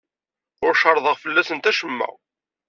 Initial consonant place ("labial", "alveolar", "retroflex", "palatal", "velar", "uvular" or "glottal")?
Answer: alveolar